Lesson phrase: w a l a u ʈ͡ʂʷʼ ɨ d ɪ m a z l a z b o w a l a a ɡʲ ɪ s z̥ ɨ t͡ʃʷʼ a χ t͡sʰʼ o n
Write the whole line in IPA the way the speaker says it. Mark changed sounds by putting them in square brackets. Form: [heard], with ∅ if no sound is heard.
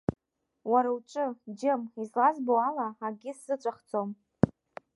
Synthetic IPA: w a [ɾ] a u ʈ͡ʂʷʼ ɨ [d͡ʒ] ɪ m [i] z l a z b o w a l a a ɡʲ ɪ s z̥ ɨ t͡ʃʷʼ a χ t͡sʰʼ o [m]